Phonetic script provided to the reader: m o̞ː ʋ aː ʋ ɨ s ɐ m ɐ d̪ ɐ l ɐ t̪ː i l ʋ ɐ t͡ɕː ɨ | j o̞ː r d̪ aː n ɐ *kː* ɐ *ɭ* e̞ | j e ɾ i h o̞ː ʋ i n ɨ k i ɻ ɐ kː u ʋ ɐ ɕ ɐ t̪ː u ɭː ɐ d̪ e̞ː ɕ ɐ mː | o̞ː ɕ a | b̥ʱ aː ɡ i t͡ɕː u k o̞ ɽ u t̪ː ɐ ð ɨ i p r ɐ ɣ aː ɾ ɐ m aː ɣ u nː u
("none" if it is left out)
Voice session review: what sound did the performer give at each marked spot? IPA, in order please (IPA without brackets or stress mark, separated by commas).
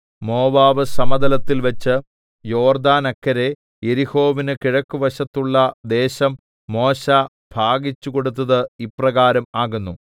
kː, ɾ